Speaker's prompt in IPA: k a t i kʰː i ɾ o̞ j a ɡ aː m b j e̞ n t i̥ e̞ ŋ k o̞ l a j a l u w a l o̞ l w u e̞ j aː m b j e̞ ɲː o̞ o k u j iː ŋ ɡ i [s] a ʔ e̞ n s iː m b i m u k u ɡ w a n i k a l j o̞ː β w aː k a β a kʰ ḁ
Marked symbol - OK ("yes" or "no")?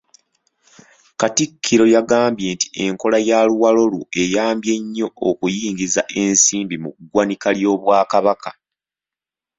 no